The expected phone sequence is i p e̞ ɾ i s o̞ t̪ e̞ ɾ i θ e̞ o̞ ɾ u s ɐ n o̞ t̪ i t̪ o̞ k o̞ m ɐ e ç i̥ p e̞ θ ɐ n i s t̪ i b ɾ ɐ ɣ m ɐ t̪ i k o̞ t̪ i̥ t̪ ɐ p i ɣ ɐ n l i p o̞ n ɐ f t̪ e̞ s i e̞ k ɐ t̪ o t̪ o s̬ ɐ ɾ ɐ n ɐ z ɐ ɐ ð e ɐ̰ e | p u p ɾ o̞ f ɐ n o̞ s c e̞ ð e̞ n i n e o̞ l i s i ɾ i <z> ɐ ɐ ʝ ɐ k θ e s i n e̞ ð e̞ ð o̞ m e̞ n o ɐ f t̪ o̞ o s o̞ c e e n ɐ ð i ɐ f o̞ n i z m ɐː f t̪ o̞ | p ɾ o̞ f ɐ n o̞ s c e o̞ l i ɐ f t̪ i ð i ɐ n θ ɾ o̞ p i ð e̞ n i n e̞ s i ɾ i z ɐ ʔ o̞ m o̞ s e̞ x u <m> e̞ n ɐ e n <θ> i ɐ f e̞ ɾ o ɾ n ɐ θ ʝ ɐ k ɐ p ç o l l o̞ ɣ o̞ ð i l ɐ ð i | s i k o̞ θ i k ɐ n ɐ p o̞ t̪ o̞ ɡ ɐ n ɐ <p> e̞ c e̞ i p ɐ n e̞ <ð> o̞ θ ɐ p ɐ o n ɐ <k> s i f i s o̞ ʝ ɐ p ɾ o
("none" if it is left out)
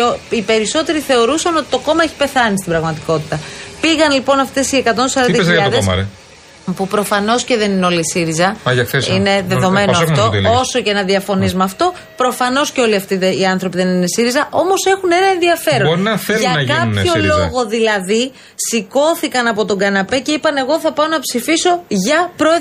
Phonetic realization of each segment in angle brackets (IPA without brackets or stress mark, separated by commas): z, n, ð, p, ɣ, p